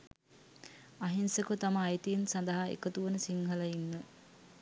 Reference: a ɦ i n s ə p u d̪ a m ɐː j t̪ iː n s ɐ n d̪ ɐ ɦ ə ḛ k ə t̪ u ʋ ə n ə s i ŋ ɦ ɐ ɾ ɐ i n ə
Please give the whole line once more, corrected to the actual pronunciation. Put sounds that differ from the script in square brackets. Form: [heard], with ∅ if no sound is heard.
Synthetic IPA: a ɦ i n s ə [k] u [t̪] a m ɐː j t̪ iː n s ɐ n d̪ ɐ ɦ [a] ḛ k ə t̪ u ʋ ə n ə s i ŋ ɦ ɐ [l] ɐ i [nː] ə